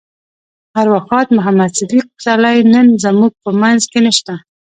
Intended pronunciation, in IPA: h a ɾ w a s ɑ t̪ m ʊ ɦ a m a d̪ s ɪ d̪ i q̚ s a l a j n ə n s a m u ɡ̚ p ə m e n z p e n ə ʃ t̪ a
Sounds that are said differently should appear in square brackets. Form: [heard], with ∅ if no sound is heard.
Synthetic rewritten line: h a ɾ w a [x] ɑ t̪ m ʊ ɦ a m a d̪ s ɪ d̪ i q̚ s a l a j n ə n [z] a m u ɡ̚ p ə m [a] n z [k] e n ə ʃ t̪ a